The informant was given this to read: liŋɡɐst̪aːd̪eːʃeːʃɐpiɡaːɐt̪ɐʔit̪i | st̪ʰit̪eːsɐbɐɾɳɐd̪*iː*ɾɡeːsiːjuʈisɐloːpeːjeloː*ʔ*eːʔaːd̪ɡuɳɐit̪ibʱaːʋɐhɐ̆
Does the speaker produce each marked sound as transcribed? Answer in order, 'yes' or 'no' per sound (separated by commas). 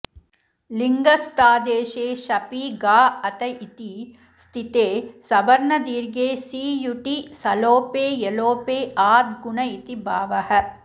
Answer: yes, no